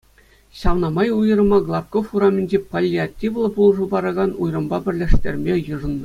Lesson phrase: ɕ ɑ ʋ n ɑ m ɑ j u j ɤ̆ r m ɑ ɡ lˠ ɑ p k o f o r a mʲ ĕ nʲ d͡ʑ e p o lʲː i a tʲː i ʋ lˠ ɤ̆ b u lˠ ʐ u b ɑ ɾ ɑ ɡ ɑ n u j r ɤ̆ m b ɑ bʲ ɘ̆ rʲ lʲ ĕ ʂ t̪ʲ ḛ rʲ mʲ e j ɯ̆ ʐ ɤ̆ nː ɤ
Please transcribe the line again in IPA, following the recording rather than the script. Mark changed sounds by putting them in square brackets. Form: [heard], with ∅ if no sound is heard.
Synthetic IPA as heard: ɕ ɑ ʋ n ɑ m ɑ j u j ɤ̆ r m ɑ ɡ lˠ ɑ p k o f [u] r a mʲ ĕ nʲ d͡ʑ e p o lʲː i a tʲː i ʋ lˠ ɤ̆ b u lˠ ʐ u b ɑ ɾ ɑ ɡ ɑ n u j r ɤ̆ m b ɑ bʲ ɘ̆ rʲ lʲ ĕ ʂ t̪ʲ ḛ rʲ mʲ e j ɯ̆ ʐ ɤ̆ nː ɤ